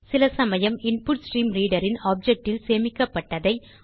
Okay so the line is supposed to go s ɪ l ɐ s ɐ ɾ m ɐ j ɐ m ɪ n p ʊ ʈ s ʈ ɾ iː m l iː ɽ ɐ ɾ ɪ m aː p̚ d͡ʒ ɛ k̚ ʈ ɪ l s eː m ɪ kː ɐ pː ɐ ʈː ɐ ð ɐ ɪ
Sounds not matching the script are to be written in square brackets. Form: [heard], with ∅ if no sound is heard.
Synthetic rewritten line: s ɪ l ɐ s ɐ [∅] m ɐ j ɐ m ɪ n p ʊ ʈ s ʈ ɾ iː m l iː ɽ ɐ ɾ ɪ [n] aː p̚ d͡ʒ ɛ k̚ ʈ ɪ l s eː m ɪ kː ɐ pː ɐ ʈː ɐ ð ɐ ɪ